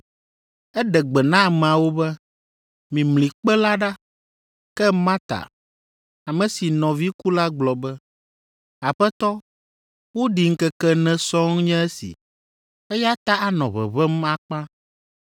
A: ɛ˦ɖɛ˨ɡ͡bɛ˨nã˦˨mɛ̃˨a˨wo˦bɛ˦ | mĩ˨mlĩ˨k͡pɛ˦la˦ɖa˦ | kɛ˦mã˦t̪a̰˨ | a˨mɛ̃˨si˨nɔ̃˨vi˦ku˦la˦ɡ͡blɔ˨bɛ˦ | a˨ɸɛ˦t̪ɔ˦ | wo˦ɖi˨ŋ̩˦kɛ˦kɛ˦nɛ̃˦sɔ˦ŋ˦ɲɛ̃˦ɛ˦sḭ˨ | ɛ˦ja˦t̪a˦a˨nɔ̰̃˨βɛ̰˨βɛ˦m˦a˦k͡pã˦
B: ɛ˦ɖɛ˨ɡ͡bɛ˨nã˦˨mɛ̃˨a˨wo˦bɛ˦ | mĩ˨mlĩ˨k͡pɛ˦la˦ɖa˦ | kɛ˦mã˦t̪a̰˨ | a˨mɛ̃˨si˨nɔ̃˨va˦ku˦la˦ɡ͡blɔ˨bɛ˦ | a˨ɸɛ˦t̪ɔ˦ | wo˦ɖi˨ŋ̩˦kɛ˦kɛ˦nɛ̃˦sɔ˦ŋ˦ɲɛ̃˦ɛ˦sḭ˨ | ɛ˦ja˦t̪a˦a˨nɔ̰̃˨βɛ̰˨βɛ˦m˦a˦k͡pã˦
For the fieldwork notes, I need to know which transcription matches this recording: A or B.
A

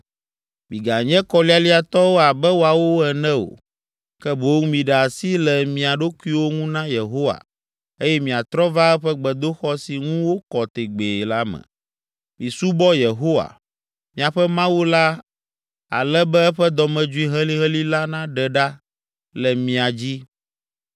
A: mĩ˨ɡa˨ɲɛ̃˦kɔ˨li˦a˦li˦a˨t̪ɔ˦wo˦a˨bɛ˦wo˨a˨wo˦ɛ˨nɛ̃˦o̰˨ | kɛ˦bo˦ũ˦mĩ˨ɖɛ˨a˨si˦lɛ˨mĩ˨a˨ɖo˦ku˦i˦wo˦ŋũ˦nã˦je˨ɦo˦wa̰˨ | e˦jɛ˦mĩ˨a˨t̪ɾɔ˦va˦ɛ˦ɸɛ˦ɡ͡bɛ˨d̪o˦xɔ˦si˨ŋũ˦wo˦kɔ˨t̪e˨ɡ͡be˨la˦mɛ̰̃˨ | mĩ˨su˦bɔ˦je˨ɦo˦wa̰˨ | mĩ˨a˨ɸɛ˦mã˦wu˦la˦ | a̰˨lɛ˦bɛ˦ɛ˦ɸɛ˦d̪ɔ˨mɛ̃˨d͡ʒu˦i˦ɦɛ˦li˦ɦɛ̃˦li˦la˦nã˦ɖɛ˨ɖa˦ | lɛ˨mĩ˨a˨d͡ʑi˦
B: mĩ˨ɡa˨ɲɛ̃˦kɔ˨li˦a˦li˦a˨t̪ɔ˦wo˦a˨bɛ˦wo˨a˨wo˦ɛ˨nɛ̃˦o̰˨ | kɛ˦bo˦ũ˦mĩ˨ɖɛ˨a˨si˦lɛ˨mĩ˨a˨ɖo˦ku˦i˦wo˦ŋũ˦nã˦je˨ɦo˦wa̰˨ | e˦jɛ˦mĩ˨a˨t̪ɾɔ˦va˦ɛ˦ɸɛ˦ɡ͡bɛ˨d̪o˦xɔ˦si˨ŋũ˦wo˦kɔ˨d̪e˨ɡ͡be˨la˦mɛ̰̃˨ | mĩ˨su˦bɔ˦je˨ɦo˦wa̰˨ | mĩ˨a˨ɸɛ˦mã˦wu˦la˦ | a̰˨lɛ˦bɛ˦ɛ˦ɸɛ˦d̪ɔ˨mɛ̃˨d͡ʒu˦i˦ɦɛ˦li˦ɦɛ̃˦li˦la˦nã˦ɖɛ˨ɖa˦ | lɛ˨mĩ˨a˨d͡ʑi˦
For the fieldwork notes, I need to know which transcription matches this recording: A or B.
A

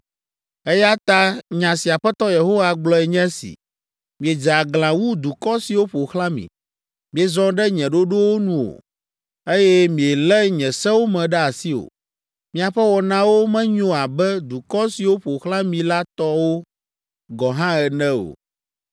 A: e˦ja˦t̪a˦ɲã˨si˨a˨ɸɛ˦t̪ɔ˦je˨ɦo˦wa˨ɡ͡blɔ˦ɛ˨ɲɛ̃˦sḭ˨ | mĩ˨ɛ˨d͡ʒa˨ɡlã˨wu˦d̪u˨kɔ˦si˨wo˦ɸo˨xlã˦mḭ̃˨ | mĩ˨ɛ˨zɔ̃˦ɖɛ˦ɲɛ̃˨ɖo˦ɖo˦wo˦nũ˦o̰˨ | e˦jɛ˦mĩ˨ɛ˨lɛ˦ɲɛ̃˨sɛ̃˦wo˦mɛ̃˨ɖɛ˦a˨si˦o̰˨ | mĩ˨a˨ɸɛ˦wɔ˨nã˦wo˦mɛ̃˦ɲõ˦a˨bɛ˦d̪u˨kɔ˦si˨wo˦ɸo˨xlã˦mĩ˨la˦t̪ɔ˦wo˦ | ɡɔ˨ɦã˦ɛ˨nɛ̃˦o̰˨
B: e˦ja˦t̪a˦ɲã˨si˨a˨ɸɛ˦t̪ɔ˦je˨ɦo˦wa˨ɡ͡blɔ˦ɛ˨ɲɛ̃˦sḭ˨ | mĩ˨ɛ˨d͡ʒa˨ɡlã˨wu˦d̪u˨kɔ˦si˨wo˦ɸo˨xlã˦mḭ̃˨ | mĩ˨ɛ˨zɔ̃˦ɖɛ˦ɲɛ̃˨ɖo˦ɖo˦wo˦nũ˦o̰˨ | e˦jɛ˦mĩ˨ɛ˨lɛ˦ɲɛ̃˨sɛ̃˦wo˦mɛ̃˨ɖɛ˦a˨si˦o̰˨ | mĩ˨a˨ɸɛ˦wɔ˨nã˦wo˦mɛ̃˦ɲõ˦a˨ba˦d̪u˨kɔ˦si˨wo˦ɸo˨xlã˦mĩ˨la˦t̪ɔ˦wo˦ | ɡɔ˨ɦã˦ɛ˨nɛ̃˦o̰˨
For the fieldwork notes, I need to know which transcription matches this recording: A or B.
A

